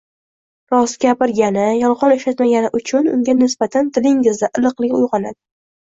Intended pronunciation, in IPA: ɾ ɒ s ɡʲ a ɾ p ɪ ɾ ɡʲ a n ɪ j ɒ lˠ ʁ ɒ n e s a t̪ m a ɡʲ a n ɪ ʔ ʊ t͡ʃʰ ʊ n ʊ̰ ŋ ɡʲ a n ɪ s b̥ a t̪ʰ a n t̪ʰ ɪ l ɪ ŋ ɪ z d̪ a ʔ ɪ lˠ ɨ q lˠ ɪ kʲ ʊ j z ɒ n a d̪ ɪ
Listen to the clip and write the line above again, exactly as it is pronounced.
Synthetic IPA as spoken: ɾ ɒ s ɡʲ a p ɪ ɾ ɡʲ a n ɪ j ɒ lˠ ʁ ɒ n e ʃ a t̪ m a ɡʲ a n ɪ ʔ ʊ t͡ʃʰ ʊ n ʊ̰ ŋ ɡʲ a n ɪ s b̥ a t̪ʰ a n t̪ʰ ɪ l ɪ ŋ ɪ z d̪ a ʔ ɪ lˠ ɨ q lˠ ɪ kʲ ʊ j ʁ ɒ n a d̪ ɪ